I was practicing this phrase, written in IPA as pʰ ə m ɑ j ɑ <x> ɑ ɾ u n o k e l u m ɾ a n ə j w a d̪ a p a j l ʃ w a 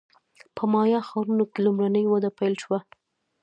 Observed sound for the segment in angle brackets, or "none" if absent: x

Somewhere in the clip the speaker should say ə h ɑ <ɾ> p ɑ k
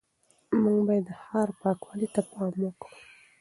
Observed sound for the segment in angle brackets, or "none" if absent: ɾ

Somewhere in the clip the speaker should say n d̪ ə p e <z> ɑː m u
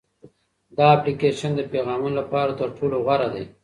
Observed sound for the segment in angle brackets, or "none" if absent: ɣ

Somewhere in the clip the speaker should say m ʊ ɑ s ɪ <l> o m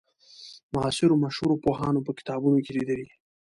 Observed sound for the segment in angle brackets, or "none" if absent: ɾ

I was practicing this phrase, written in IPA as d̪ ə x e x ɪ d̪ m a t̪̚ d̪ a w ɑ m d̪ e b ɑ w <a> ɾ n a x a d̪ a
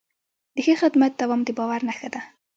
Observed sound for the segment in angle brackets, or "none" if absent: a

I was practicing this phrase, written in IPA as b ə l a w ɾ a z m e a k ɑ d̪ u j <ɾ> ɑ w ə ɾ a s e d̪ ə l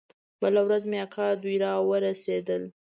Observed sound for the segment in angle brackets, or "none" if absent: ɾ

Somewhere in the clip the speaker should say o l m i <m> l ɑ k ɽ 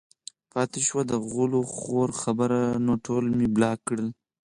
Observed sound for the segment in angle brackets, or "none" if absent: b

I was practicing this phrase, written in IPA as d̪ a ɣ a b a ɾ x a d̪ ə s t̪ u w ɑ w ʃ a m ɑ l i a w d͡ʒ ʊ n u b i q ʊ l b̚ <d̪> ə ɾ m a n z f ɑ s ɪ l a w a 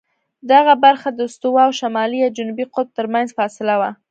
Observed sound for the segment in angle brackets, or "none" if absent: t̪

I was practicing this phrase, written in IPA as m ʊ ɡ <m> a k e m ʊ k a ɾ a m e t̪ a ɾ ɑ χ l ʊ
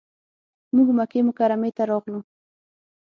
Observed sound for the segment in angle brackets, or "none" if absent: m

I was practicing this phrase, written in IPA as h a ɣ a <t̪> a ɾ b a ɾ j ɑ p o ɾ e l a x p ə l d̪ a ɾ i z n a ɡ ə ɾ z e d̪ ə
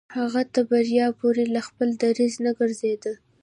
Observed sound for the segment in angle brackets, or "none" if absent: t̪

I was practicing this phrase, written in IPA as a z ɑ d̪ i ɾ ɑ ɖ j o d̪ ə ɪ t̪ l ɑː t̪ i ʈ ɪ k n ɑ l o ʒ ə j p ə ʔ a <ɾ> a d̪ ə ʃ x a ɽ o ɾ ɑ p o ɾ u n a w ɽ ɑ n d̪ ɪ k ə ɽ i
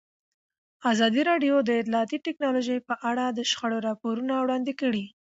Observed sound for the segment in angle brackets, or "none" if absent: ɽ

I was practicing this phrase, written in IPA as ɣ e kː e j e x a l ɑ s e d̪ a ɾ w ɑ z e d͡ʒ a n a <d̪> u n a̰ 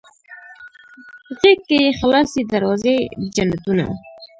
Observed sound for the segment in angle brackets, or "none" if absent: t̪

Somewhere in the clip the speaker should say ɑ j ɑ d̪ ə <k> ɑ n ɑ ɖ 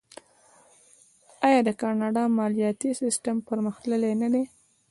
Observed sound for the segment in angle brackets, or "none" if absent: k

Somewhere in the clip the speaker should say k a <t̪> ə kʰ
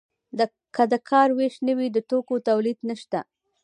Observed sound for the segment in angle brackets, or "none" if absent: d̪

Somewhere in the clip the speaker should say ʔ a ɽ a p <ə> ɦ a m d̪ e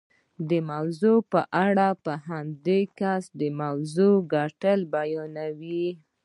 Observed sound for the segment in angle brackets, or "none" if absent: ə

